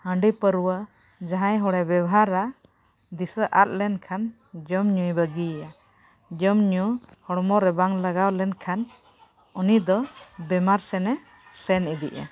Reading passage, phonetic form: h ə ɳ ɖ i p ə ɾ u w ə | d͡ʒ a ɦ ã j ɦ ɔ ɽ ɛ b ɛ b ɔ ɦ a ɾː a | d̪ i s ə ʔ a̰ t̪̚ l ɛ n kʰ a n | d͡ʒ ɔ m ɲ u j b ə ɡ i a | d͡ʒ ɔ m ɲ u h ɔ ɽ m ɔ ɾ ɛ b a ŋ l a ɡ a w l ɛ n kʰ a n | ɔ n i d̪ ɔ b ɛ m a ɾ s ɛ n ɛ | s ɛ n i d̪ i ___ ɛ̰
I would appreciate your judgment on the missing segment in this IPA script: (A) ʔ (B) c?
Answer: A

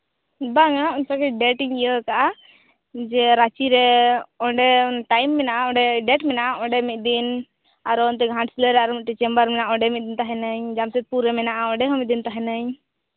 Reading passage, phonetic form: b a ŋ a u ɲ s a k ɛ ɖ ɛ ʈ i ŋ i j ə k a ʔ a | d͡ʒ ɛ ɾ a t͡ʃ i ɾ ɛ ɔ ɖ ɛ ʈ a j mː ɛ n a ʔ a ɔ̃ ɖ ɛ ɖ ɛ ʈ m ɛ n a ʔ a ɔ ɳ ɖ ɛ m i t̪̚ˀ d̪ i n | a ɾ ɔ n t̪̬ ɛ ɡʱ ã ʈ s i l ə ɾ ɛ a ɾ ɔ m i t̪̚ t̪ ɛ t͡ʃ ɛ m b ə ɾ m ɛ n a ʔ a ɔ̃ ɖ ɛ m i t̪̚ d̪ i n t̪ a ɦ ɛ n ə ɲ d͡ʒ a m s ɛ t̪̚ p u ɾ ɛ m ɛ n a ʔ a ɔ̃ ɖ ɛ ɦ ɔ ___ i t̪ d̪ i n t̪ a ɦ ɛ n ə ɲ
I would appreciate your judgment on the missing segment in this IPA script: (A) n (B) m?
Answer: B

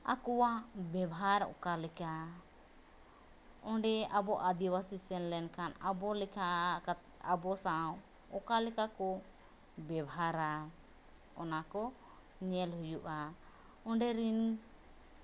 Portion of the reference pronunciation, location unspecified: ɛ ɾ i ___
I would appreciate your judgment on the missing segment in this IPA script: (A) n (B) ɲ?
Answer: A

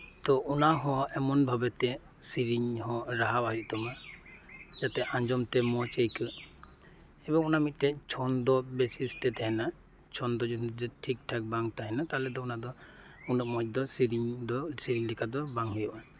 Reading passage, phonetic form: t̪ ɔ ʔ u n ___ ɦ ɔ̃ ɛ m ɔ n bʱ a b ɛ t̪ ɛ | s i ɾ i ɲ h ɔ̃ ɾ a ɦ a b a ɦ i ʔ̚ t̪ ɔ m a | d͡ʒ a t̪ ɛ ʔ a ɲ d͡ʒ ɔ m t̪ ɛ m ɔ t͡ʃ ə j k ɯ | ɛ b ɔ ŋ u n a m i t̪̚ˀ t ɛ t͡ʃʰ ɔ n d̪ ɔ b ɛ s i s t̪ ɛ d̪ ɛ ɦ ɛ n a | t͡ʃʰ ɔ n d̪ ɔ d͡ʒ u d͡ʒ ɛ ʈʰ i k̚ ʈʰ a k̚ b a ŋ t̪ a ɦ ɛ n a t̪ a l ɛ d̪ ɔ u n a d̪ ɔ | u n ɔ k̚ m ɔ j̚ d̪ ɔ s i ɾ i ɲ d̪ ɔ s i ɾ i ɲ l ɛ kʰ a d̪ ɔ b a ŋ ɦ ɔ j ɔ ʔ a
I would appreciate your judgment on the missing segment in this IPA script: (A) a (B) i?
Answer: A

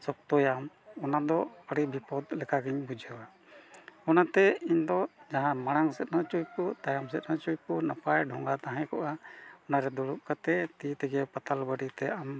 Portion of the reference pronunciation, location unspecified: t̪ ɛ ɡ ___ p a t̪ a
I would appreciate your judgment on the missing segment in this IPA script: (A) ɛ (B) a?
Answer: A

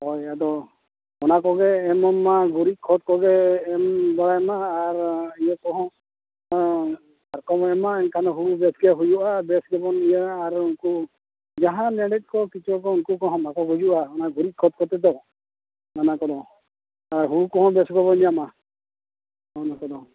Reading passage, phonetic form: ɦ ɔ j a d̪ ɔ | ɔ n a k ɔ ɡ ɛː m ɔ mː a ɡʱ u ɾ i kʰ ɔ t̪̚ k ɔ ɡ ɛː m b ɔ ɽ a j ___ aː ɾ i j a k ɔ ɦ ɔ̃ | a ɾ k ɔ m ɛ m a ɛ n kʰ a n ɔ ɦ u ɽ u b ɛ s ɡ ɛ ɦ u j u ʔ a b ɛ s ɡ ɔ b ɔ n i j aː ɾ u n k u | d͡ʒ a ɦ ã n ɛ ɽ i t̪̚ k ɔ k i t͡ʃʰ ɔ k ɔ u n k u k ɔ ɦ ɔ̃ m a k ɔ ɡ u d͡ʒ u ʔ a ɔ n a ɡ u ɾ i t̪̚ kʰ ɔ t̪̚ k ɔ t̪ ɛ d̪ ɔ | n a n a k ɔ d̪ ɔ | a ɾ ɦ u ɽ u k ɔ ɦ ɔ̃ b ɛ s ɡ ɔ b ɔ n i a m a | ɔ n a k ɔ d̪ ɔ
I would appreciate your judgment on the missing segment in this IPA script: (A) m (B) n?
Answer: A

